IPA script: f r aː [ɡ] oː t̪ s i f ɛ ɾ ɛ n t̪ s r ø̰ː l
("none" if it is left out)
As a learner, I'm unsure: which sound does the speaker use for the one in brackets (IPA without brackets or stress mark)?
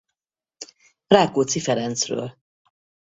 k